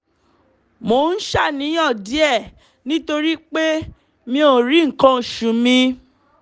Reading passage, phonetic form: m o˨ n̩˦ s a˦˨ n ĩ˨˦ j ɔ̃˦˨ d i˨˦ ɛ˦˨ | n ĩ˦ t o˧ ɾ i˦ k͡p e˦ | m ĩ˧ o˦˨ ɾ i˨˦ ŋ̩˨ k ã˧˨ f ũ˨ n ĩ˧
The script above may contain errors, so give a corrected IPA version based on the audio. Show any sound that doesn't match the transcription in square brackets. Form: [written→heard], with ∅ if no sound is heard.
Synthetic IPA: m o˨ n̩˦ [s→ʃ] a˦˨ n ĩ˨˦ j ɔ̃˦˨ d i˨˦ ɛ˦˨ | n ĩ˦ t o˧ ɾ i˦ k͡p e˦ | m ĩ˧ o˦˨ ɾ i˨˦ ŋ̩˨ k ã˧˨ [f→ʃ] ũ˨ [n→m] ĩ˧